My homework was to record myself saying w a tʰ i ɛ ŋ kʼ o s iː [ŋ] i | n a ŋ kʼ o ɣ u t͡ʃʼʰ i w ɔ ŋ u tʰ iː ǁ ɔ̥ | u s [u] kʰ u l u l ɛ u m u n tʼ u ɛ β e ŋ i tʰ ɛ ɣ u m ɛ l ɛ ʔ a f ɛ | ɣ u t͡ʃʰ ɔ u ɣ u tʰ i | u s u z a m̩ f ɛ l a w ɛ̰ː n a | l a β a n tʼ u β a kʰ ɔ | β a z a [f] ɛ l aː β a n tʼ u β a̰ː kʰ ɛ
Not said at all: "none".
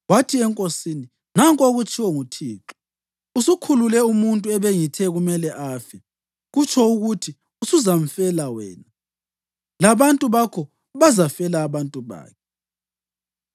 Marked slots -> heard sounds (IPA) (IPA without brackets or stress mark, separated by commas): n, u, f